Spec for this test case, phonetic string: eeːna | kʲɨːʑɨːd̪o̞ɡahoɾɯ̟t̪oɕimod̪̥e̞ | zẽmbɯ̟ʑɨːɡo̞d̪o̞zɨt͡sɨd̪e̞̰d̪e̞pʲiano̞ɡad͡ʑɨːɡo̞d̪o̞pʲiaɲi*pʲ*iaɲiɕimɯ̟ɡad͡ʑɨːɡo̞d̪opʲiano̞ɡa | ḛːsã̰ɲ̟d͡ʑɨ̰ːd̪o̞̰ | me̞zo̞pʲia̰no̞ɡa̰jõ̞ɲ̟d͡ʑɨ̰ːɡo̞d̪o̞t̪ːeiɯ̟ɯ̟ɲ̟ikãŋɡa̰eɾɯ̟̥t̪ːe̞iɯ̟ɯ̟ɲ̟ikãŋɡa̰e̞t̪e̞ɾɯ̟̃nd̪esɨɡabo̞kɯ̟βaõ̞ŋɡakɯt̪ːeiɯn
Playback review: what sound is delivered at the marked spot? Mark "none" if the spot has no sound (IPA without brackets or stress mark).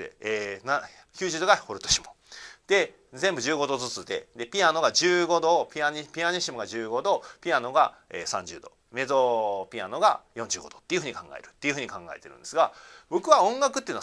pʲ